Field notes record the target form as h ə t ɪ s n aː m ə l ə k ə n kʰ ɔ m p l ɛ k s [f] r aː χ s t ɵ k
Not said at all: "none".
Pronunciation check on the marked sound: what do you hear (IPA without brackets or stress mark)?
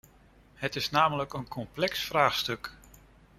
f